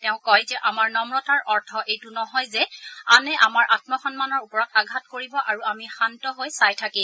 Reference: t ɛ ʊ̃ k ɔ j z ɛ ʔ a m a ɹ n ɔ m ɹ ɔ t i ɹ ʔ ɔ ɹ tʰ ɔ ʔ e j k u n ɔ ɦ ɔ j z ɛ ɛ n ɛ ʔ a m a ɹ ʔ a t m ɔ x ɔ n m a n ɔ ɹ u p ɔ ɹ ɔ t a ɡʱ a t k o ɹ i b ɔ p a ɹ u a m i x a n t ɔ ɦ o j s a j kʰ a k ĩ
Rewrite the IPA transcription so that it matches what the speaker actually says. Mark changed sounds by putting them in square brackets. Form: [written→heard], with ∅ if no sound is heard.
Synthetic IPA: t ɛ ʊ̃ k ɔ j z ɛ ʔ a m a ɹ n ɔ m ɹ ɔ t [i→a] ɹ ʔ ɔ ɹ tʰ ɔ ʔ e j [k→t] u n ɔ ɦ ɔ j z ɛ [ɛ→a] n ɛ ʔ a m a ɹ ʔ a t m ɔ x ɔ n m a n ɔ ɹ u p ɔ ɹ ɔ t a ɡʱ a t k o ɹ i b ɔ [p→ʔ] a ɹ u a m i x a n t ɔ ɦ o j s a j [kʰ→tʰ] a k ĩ